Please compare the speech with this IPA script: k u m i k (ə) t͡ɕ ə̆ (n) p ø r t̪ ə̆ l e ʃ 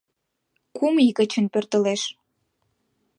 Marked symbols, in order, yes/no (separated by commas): yes, yes